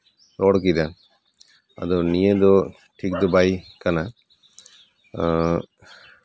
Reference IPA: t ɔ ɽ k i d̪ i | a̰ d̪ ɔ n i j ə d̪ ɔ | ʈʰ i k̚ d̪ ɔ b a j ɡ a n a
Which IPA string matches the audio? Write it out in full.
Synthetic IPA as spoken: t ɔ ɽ k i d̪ a | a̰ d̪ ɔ n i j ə d̪ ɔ | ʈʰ i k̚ d̪ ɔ b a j k a n a